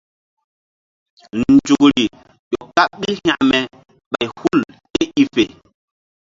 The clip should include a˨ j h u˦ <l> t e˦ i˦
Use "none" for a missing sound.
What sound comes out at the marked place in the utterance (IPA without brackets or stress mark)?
l